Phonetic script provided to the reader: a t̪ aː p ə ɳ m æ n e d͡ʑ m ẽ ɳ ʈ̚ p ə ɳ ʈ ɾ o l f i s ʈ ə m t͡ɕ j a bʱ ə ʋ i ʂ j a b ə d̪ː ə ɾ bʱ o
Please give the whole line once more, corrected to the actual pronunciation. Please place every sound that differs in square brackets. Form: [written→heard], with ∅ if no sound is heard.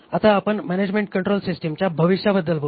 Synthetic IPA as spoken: a t̪ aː p ə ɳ m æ n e d͡ʑ m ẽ ɳ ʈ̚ [p→k] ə ɳ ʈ ɾ o l [f→s] i s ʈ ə m t͡ɕ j a bʱ ə ʋ i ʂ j a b ə d̪ː ə [ɾ→l] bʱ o